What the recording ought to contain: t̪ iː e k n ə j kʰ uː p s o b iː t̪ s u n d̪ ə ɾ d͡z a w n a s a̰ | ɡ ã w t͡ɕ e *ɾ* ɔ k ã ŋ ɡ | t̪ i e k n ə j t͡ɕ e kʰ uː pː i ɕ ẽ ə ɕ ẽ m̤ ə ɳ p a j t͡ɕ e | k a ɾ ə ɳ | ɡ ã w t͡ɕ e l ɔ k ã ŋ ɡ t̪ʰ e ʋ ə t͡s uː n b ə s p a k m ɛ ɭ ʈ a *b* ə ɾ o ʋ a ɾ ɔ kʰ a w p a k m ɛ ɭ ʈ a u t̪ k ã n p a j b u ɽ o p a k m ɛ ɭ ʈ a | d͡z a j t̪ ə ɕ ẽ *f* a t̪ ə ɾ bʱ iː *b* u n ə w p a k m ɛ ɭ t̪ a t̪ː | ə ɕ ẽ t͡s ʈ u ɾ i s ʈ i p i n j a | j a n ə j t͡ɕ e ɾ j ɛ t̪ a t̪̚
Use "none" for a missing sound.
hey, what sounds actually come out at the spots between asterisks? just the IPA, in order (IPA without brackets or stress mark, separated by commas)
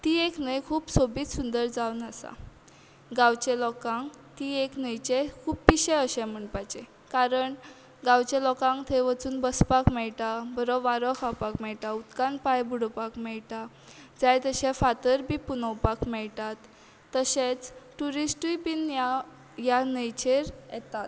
l, b, f, p